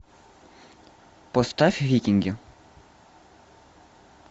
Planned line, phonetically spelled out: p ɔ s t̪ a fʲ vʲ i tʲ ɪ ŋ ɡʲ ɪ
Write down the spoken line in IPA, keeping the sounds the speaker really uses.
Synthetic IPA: p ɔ s t̪ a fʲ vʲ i kʲ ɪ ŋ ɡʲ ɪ